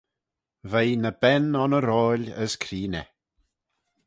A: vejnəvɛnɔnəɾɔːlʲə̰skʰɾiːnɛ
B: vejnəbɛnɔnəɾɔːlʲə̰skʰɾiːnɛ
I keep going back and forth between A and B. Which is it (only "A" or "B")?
B